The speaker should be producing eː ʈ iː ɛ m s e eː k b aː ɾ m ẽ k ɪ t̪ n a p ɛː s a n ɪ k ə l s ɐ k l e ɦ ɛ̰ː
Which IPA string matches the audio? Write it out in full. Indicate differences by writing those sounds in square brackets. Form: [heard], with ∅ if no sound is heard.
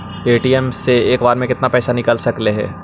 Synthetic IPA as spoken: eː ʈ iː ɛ m s e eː k b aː ɾ m ẽ k ɪ t̪ n a p ɛː s a n ɪ k ə l s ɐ k l e ɦ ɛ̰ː